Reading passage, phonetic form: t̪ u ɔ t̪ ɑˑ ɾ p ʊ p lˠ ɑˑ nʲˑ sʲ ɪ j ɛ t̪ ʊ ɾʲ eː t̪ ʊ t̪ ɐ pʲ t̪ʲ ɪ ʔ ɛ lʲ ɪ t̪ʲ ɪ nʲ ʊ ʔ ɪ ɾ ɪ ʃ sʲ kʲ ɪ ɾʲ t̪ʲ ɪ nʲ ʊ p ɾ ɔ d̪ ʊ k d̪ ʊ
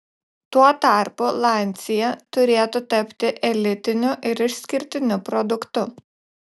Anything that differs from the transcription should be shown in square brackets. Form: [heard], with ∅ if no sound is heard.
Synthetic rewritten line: t̪ u ɔ t̪ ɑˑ ɾ p ʊ [∅] lˠ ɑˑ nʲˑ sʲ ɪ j ɛ t̪ ʊ ɾʲ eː t̪ ʊ t̪ ɐ pʲ t̪ʲ ɪ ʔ ɛ lʲ ɪ t̪ʲ ɪ nʲ ʊ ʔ ɪ ɾ ɪ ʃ sʲ kʲ ɪ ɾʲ t̪ʲ ɪ nʲ ʊ p ɾ ɔ d̪ ʊ k [t̪] ʊ